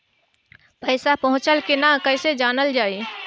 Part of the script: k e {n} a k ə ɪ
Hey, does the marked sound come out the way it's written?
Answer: yes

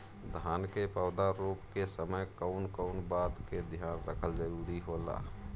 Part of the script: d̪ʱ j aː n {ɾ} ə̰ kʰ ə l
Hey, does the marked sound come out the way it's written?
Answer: yes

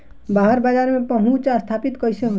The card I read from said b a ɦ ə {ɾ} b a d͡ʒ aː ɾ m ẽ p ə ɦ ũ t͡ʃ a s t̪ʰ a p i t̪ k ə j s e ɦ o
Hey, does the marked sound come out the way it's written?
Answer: yes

